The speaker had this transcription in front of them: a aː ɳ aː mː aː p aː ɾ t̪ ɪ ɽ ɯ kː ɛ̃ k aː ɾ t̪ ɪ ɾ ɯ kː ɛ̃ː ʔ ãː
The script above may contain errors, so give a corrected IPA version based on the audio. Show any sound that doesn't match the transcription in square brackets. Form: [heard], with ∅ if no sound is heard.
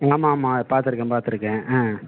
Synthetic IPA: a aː [m] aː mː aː p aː ɾ t̪ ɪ [ɾ] ɯ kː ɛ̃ [p] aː ɾ t̪ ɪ ɾ ɯ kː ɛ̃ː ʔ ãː

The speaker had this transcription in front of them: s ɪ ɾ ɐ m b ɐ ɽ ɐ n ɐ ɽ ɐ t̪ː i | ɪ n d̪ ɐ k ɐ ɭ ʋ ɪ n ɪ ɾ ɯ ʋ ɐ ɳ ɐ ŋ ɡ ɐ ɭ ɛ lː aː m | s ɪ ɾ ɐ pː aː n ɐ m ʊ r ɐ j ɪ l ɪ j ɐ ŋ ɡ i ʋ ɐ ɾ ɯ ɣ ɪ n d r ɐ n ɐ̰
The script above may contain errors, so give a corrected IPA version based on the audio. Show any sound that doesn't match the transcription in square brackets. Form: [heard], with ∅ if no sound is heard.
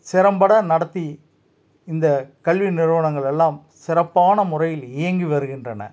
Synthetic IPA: s ɪ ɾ ɐ m b ɐ ɽ ɐ n ɐ ɽ ɐ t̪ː i | ɪ n d̪ ɐ k ɐ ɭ ʋ [i] n ɪ ɾ ɯ ʋ ɐ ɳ ɐ ŋ ɡ ɐ ɭ ɛ lː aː m | s ɪ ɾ ɐ pː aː n ɐ m ʊ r ɐ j ɪ l ɪ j ɐ ŋ ɡ i ʋ ɐ ɾ ɯ ɣ ɪ n d r ɐ n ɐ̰

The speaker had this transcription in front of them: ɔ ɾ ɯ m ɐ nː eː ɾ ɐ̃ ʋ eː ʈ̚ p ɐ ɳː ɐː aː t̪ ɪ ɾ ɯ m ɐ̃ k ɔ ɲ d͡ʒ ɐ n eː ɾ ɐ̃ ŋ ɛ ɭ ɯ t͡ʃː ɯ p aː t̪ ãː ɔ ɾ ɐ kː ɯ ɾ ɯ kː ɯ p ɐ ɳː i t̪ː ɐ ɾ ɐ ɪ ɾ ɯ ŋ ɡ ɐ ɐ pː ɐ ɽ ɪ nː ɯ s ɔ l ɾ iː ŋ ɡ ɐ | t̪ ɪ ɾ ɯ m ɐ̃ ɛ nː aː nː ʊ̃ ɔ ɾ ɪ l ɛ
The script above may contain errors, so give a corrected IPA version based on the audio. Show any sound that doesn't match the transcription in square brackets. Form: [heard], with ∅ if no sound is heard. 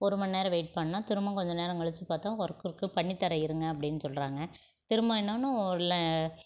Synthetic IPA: ɔ ɾ ɯ m ɐ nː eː ɾ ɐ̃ ʋ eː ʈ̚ p ɐ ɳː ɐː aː t̪ ɪ ɾ ɯ m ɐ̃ k ɔ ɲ d͡ʒ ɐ n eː ɾ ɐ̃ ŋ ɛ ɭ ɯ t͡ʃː ɯ p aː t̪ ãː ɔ ɾ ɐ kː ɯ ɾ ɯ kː ɯ p ɐ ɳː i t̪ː ɐ ɾ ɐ ɪ ɾ ɯ ŋ ɡ ɐ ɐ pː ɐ ɽ ɪ nː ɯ s ɔ l ɾ [aː] ŋ ɡ ɐ | t̪ ɪ ɾ ɯ m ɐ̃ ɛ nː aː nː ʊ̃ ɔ ɾ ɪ l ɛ

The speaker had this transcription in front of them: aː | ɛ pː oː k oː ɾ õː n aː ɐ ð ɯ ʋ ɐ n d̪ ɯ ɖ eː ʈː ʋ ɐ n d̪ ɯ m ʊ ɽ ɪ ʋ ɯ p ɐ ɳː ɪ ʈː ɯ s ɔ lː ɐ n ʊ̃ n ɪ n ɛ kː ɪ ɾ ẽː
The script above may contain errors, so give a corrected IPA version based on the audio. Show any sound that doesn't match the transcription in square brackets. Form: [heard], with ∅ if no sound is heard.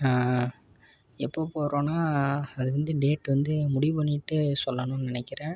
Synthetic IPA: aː | ɛ pː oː [p] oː ɾ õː n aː ɐ ð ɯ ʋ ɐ n d̪ ɯ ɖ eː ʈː ʋ ɐ n d̪ ɯ m ʊ ɽ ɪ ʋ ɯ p ɐ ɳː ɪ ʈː ɯ s ɔ lː ɐ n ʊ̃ n ɪ n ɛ kː ɪ ɾ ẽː

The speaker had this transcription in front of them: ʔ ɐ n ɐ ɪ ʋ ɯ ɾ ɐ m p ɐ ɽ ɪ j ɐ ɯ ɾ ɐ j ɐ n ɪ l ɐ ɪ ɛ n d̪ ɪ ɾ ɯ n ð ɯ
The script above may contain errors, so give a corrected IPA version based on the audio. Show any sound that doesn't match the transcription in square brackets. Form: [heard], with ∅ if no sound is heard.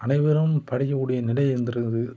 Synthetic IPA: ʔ ɐ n ɐ ɪ ʋ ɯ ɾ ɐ m p ɐ ɽ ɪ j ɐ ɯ [ɽ] ɐ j ɐ n ɪ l ɐ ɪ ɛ n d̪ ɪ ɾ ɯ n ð ɯ

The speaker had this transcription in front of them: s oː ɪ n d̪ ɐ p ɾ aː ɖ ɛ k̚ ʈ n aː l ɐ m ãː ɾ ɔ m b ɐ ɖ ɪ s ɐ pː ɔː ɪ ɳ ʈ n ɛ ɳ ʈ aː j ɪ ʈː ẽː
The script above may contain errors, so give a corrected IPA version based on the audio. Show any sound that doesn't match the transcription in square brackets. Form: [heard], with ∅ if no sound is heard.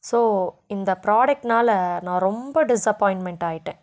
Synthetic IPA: s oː ɪ n d̪ ɐ p ɾ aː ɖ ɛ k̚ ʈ n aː l ɐ [n] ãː ɾ ɔ m b ɐ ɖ ɪ s ɐ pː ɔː ɪ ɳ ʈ [m] ɛ ɳ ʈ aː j ɪ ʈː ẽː

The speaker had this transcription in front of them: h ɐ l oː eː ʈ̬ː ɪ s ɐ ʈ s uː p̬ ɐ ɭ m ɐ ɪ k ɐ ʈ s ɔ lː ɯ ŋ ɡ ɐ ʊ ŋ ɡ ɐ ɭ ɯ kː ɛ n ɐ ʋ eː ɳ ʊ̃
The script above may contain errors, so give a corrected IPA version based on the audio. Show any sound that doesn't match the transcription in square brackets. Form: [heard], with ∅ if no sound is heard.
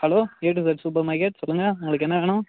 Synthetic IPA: h ɐ l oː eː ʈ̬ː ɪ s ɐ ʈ s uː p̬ ɐ [ɾ] m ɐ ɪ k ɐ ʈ s ɔ lː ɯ ŋ ɡ ɐ ʊ ŋ ɡ ɐ ɭ ɯ kː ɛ [nː] ɐ ʋ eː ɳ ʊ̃

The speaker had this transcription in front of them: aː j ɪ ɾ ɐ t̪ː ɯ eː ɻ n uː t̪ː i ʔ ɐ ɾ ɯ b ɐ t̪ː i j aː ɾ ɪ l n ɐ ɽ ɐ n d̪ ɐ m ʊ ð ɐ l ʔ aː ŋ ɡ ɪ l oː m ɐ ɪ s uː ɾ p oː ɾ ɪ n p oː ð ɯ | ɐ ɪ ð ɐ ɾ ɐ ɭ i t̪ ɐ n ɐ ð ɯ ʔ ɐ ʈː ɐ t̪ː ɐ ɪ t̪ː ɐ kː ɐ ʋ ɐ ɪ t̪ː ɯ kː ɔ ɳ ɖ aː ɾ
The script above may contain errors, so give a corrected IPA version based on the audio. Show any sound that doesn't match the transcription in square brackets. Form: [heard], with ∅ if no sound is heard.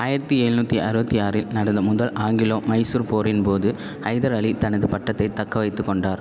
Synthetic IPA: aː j ɪ ɾ ɐ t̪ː ɯ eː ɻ n uː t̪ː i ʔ ɐ ɾ ɯ b ɐ t̪ː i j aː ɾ ɪ l n ɐ ɽ ɐ n d̪ ɐ m ʊ ð ɐ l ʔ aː ŋ ɡ ɪ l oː m ɐ ɪ s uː ɾ p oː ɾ ɪ n p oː ð ɯ | ɐ ɪ ð ɐ ɾ ɐ ɭ i t̪ ɐ n ɐ ð ɯ [p] ɐ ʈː ɐ t̪ː ɐ ɪ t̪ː ɐ kː ɐ ʋ ɐ ɪ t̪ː ɯ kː ɔ ɳ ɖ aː ɾ

